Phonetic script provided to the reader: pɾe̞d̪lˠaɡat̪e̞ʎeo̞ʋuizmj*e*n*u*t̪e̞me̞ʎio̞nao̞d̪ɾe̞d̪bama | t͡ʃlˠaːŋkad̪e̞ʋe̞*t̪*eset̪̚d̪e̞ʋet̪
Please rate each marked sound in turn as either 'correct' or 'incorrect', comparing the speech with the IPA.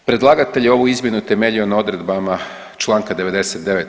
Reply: correct, correct, incorrect: d̪

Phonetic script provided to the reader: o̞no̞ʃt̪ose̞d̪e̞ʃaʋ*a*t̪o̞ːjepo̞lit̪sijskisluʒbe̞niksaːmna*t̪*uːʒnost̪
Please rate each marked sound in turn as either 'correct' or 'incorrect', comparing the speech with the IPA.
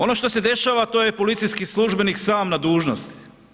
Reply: correct, incorrect: d̪

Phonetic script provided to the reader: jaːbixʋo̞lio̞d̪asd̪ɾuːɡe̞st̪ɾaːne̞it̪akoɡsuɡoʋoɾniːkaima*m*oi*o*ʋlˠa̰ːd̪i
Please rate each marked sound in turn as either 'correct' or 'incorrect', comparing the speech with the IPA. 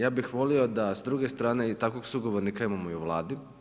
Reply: correct, incorrect: u

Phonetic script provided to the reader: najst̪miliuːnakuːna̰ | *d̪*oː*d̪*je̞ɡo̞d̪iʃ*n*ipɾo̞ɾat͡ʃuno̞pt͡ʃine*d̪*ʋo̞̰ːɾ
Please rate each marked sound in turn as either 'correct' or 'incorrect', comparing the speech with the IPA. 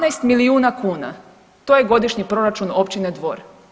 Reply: incorrect: t̪, incorrect: none, incorrect: ɲ, correct

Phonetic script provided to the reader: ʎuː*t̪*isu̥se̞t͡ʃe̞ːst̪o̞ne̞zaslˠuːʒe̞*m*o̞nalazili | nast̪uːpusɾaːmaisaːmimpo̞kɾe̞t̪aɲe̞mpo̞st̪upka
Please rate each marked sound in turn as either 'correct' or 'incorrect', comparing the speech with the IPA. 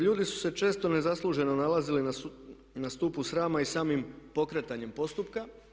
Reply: incorrect: d̪, incorrect: n

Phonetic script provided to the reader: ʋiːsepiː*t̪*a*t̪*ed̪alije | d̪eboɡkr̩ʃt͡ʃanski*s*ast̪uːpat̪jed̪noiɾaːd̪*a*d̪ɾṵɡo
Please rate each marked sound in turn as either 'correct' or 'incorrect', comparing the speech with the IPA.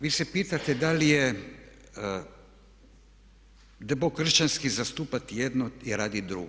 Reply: correct, correct, incorrect: z, incorrect: i

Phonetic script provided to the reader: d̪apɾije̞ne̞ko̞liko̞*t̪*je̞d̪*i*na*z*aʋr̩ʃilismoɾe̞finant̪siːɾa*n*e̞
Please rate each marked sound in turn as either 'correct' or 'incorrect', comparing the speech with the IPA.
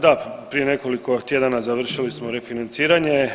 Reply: correct, incorrect: a, correct, incorrect: ɲ

